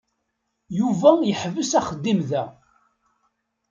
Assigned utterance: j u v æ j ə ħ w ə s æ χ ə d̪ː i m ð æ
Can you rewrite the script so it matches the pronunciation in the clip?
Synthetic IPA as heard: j u v æ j ə ħ v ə s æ χ ə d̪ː i m ð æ